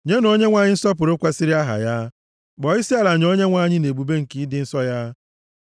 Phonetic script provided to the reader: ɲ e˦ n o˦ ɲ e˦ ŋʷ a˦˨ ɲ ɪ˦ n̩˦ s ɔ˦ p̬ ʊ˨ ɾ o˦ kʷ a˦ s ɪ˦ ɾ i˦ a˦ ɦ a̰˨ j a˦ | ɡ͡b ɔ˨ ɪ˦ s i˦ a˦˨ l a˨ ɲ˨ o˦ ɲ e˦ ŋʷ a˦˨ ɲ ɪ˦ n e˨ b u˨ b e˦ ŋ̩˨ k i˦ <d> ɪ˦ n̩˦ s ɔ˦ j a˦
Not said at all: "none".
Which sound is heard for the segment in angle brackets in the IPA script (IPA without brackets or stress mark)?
d